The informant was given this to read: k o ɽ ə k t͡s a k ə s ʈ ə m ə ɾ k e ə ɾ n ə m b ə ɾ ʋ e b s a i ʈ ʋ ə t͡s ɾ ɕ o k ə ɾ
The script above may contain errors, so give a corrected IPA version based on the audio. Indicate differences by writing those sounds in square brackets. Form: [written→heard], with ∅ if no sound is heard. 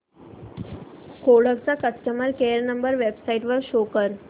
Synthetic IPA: k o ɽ ə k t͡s a k ə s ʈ ə m ə ɾ k e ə ɾ n ə m b ə ɾ ʋ e b s a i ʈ ʋ ə [t͡s→∅] ɾ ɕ o k ə ɾ